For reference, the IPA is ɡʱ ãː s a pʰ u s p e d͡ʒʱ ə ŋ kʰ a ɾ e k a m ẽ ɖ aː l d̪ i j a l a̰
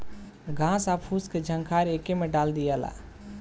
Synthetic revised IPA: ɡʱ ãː s a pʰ u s k e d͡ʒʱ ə ŋ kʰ a ɾ e k e m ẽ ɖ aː l d̪ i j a l a̰